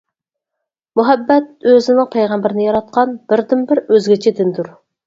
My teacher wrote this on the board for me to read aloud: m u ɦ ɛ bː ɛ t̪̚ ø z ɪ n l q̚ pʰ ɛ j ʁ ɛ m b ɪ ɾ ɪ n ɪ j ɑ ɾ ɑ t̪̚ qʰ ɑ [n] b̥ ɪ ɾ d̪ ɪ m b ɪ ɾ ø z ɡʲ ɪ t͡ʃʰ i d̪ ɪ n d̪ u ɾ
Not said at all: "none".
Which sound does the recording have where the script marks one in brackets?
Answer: n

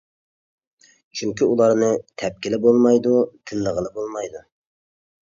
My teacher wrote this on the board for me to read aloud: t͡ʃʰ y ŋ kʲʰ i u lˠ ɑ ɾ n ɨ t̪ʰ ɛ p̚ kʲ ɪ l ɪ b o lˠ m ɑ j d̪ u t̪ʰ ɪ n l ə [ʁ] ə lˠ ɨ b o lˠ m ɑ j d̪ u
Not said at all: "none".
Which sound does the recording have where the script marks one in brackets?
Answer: ʁ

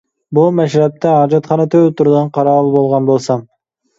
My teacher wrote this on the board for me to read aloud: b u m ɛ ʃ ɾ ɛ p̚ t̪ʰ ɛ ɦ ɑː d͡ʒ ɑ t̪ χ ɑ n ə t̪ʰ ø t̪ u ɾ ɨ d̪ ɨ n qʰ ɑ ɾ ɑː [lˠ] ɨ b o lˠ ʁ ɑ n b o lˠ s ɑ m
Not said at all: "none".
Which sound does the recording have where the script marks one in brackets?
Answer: lˠ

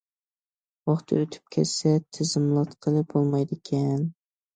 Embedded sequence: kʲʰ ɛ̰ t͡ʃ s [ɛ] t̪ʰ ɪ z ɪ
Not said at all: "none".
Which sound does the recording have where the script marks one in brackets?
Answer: ɛ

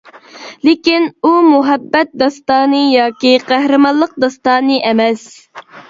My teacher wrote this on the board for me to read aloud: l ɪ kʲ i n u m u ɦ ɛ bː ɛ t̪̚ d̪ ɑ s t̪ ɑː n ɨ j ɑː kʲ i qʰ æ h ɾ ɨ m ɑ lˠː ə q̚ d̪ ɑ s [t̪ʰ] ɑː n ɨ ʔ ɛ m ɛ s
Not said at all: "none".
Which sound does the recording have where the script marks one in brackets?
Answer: t̪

